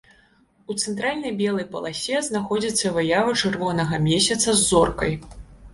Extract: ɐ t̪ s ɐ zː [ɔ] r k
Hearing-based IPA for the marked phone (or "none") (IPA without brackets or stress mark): ɔ